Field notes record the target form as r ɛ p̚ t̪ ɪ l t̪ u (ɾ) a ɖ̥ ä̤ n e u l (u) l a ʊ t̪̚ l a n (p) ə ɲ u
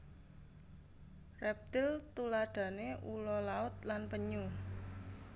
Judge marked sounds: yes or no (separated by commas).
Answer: no, no, yes